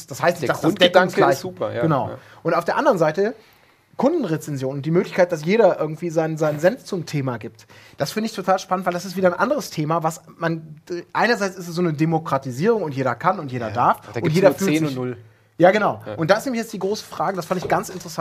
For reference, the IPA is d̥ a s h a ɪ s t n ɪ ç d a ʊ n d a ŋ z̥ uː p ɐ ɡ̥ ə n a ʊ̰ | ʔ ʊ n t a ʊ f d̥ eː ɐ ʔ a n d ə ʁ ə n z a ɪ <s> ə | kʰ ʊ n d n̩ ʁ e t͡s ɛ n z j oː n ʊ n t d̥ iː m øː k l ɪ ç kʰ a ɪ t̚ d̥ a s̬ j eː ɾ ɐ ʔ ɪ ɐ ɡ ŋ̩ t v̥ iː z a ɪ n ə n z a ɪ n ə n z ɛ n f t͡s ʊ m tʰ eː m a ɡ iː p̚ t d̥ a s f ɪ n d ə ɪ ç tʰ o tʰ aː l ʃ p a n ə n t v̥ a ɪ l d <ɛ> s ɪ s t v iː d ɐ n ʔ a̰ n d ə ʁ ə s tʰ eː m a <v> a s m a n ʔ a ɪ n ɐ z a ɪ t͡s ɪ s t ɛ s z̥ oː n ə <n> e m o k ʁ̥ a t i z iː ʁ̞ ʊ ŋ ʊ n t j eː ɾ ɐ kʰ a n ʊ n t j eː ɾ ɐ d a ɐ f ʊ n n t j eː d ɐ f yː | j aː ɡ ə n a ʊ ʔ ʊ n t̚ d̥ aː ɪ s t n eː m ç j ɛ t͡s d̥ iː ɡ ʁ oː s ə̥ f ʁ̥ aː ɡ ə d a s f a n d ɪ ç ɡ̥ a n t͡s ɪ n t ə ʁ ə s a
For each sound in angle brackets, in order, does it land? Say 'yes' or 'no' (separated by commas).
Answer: no, no, yes, no